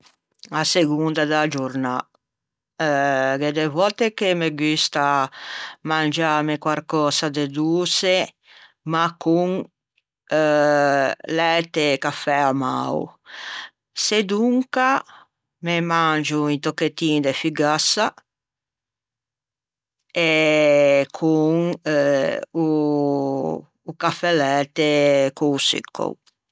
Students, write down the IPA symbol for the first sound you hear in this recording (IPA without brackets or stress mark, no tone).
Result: a